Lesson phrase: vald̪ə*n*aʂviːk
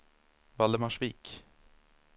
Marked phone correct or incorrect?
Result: incorrect